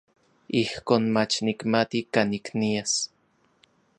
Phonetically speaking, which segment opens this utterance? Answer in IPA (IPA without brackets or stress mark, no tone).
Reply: i